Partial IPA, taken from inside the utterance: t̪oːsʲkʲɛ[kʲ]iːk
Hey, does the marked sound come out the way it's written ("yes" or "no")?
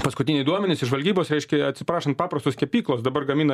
no